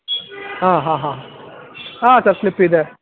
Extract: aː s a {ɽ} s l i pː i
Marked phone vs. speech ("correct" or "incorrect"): incorrect